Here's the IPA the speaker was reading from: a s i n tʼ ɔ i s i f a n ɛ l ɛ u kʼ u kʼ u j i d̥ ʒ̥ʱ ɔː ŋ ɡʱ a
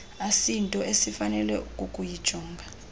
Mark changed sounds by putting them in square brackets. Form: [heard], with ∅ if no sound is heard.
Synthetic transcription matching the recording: a s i n tʼ ɔ [e] s i f a n ɛ l ɛ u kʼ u kʼ u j i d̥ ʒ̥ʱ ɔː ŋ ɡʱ a